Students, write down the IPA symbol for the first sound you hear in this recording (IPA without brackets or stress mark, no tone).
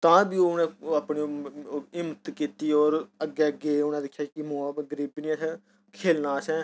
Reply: t̪